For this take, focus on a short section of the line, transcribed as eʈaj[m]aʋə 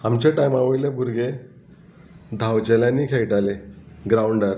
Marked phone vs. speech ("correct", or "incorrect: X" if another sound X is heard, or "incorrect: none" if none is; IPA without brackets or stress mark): correct